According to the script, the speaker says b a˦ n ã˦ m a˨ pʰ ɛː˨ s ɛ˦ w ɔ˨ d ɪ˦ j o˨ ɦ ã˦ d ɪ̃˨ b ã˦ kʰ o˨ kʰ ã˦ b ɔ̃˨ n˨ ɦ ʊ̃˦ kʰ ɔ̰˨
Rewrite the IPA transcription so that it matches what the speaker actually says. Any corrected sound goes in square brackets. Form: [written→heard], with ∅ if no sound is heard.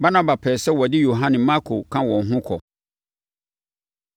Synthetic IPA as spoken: b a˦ n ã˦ [m→b] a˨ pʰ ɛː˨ s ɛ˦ w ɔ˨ d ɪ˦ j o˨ ɦ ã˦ [d→n] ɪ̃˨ [b→m] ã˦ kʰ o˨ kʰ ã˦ [b→w] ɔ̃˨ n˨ ɦ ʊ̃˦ kʰ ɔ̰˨

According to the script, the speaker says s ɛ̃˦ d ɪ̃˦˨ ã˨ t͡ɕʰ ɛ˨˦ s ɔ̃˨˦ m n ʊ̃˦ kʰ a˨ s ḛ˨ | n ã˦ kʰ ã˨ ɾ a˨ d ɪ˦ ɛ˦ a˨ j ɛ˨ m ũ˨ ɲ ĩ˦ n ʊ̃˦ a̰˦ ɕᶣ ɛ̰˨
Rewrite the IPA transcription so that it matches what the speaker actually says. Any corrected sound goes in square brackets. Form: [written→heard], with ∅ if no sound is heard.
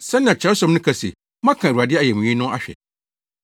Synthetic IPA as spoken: s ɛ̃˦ [d→n] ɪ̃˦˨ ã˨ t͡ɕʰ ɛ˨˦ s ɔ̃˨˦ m n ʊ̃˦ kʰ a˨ s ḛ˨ | [n→m] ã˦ kʰ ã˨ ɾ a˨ d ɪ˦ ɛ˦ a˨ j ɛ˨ m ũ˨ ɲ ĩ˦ n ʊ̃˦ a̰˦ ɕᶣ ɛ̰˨

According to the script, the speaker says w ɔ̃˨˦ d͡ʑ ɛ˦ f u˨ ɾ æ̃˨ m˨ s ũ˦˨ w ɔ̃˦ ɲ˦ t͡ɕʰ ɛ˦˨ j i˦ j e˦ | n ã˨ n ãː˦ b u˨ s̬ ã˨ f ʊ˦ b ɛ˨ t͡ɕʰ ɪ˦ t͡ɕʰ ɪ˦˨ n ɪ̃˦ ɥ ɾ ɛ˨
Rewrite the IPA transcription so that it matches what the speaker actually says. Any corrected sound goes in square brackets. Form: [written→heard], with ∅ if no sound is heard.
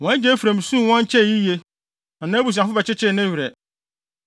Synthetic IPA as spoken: w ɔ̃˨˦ d͡ʑ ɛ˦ f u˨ ɾ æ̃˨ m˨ s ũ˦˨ w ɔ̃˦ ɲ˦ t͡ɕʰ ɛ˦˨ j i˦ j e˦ | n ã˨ n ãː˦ b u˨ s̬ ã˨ f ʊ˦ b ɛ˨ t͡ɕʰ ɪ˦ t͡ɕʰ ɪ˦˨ n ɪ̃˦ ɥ ɾ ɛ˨

